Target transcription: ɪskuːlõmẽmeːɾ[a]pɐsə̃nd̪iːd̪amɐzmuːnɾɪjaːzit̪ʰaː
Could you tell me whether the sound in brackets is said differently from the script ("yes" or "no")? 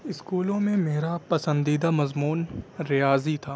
no